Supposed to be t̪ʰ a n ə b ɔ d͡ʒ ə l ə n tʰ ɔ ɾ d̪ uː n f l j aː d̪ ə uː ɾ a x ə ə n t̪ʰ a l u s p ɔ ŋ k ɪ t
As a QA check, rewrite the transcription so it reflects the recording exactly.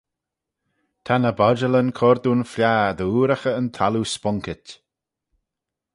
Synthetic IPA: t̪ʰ a n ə b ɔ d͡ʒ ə l ə n kʰ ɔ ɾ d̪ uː n f l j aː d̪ ə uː ɾ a x ə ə n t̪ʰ a l u s p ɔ ŋ k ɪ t